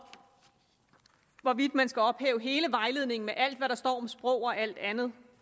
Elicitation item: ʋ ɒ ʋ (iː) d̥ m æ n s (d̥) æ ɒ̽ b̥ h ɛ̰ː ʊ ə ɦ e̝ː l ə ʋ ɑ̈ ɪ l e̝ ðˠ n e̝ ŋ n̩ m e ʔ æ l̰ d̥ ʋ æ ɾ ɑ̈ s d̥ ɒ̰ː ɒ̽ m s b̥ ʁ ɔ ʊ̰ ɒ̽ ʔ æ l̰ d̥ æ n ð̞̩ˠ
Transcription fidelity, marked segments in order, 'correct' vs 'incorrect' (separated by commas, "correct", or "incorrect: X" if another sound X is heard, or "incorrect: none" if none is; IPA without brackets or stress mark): incorrect: i, incorrect: ɡ̥